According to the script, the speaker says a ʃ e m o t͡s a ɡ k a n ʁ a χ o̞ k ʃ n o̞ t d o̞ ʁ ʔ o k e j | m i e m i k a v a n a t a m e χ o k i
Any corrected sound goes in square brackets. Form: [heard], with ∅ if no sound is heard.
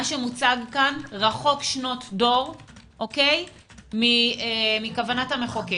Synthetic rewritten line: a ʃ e m [u] t͡s a ɡ k a n ʁ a χ o̞ k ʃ n o̞ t d o̞ ʁ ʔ o k e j | m i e m i k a v a n a t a m e χ o k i